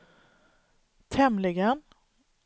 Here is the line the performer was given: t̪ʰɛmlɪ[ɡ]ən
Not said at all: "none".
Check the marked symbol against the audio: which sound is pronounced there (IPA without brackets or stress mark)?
ɡ